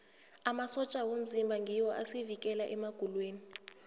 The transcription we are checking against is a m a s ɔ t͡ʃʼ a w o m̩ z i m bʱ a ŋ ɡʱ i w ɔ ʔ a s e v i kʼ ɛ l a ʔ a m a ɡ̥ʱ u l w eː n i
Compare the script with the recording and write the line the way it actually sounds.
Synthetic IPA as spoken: a m a s ɔ t͡ʃʼ a w o m̩ z i m bʱ a ŋ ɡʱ i w ɔ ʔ a s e v i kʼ ɛ l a ʔ ɛ m a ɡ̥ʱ u l w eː n i